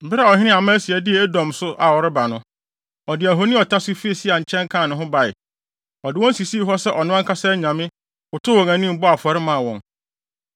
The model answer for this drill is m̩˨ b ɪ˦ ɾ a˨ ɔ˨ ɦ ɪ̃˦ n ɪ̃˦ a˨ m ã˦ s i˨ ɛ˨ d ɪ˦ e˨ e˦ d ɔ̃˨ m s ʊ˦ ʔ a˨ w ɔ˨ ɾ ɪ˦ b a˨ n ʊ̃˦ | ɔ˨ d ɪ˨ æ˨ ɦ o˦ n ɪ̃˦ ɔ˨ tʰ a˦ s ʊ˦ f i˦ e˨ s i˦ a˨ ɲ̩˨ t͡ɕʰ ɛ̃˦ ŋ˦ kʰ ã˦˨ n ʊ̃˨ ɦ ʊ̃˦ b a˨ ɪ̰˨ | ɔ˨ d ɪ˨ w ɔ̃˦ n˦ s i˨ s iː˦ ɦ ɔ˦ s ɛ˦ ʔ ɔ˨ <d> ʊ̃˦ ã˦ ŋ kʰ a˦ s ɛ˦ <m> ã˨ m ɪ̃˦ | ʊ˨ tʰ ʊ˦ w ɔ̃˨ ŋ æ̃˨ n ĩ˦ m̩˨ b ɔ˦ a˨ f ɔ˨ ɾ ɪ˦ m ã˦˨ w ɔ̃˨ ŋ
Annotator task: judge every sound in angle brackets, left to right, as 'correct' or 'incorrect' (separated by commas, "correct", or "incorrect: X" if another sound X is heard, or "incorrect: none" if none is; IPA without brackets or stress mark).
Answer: incorrect: n, incorrect: ɲ